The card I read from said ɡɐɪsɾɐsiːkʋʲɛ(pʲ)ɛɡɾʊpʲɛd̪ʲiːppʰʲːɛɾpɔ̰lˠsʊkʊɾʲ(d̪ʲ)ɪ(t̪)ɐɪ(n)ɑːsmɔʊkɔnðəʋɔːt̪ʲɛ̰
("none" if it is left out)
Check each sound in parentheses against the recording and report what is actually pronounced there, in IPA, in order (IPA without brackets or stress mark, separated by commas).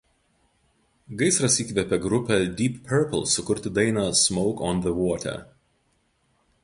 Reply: pʲ, t̪ʲ, d̪, n